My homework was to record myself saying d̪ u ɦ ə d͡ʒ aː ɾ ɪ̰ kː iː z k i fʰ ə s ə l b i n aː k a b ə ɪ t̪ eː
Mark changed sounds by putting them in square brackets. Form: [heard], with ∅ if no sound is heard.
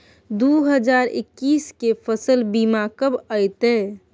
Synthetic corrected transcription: d̪ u ɦ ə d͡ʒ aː ɾ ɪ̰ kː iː [s] k [e] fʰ ə s ə l b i [m] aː k [ə] b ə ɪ t̪ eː